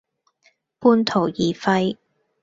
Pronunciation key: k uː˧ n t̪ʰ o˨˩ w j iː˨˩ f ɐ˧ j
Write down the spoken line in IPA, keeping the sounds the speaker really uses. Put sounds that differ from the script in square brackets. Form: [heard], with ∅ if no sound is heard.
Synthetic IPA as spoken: [p] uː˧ n t̪ʰ o˨˩ w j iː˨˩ f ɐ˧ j